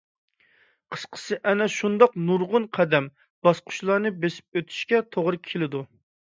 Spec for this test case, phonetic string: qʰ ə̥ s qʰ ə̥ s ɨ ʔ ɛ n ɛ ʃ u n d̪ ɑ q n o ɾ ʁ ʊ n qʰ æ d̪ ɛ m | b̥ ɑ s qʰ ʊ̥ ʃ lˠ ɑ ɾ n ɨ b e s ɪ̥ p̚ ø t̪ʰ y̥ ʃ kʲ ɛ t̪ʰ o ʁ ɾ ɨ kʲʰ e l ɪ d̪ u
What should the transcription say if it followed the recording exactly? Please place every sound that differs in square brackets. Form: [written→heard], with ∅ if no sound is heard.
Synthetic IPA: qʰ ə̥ s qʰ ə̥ s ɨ ʔ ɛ n ɛ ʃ u n d̪ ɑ q n [o→u] ɾ ʁ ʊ n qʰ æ d̪ ɛ m | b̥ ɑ s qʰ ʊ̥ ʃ lˠ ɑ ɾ n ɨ b e s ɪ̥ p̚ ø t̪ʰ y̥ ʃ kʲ ɛ t̪ʰ o ʁ ɾ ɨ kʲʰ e l ɪ d̪ u